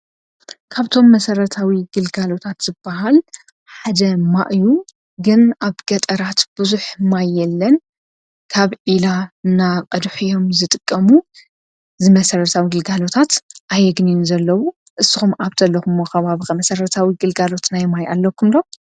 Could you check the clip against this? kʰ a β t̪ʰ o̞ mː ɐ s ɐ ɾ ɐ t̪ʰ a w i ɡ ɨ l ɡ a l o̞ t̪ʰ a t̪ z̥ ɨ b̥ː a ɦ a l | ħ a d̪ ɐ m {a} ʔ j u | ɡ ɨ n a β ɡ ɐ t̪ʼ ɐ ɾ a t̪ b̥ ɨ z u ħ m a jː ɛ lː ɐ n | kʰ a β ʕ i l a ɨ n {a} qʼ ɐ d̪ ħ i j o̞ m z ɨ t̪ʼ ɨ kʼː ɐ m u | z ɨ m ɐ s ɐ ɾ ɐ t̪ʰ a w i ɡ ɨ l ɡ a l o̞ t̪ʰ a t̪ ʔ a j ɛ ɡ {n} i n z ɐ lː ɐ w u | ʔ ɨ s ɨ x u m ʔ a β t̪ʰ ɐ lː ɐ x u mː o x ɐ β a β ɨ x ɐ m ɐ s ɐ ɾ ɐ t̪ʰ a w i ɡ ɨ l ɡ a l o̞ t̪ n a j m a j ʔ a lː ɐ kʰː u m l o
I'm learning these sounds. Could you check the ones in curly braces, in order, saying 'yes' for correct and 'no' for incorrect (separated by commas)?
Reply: yes, yes, yes